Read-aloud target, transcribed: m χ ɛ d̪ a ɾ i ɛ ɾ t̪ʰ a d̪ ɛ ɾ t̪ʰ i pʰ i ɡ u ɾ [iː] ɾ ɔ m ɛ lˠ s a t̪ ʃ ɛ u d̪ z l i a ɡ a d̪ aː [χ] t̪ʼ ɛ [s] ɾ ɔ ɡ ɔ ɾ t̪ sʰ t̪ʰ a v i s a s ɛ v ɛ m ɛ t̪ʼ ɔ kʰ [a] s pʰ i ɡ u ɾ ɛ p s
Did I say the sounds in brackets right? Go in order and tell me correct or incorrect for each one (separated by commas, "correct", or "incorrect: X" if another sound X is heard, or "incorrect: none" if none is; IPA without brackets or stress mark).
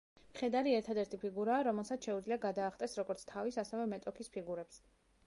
incorrect: aː, correct, correct, incorrect: i